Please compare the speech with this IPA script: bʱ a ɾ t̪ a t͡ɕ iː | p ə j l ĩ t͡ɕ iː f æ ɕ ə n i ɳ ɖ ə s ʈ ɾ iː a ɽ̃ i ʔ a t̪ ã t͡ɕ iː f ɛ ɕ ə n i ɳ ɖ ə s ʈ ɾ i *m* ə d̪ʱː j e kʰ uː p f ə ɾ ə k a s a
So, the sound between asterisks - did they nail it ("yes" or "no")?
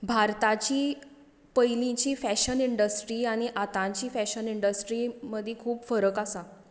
yes